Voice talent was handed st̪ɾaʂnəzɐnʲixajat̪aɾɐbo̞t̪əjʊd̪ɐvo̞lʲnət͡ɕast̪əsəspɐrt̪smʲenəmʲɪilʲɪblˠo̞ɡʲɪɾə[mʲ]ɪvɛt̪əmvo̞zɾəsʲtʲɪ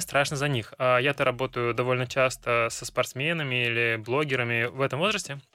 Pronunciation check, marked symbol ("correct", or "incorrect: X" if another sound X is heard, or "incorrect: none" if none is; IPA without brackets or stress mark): correct